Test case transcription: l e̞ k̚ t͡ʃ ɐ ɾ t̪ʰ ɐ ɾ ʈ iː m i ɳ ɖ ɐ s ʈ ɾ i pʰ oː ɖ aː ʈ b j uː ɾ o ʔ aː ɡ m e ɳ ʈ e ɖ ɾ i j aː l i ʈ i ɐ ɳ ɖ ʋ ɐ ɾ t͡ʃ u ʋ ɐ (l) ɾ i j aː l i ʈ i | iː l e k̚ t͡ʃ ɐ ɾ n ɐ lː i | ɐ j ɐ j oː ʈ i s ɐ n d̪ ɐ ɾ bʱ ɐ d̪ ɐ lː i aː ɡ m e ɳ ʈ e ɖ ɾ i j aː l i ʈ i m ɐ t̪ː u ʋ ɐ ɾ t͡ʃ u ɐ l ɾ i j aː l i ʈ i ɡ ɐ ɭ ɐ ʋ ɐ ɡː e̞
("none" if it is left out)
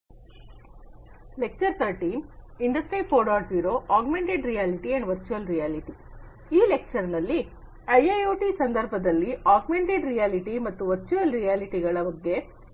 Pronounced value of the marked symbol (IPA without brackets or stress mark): l